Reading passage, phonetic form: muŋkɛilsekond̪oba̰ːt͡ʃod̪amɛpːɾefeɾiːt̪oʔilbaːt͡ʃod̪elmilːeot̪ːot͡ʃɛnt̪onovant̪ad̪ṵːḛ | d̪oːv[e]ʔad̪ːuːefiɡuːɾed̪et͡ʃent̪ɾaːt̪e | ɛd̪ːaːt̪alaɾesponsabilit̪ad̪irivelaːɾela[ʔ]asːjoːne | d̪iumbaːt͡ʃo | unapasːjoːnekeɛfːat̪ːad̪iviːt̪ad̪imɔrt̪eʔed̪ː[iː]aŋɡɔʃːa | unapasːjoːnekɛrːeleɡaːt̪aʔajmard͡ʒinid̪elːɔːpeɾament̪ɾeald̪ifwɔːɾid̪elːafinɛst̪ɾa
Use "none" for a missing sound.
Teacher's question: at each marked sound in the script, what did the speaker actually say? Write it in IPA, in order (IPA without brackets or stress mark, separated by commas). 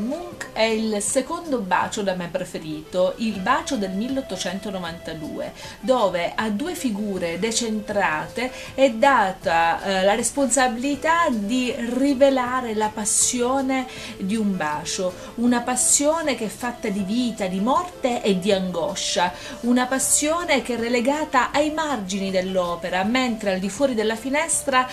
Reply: e, p, i